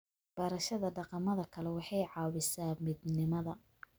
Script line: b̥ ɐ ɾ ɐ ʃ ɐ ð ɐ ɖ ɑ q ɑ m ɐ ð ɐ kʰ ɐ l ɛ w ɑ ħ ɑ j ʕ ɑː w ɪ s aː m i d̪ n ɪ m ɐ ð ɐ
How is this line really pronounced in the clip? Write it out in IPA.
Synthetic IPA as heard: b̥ ɐ ɾ ɐ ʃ ɐ ð ɐ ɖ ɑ q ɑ m ɐ ð ɐ kʰ ɐ l ɛ w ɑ ħ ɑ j ʕ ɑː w ɪ s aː m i d̪ n ɪ m ɐ ð ɐ